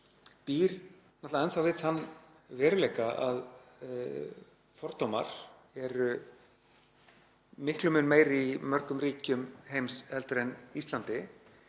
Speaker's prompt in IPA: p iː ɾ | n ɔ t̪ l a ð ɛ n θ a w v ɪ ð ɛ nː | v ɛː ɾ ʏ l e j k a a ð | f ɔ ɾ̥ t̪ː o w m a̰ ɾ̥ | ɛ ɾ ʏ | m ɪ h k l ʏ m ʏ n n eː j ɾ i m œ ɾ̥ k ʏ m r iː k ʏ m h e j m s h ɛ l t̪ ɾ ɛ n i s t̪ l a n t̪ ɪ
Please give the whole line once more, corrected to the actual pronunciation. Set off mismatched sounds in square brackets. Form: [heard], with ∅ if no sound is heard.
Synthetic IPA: p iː ɾ | n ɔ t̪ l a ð ɛ n θ a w v ɪ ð [a] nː | v ɛː ɾ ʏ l e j k a a ð | f ɔ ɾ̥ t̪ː o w m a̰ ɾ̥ | ɛ ɾ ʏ | m ɪ h k l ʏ m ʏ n [m] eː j ɾ i m œ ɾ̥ k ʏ m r iː [c] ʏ m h e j m s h ɛ l t̪ ɾ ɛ n i s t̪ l a n t̪ ɪ